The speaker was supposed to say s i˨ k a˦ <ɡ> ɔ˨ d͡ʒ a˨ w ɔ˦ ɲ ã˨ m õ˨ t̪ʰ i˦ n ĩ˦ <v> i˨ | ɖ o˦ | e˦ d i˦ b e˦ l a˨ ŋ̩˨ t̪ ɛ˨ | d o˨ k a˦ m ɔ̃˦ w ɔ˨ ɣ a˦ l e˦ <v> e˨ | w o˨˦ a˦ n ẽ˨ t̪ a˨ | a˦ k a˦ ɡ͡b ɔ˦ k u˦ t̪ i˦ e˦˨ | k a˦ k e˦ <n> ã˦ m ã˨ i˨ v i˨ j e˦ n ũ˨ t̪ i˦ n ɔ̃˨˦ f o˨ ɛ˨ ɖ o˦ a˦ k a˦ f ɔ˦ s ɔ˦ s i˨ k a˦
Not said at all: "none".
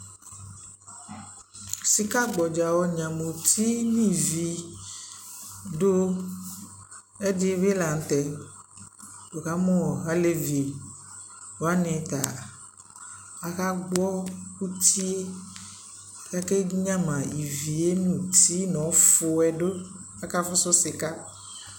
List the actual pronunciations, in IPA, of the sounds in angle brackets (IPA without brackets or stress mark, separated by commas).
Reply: ɡ͡b, v, v, ɲ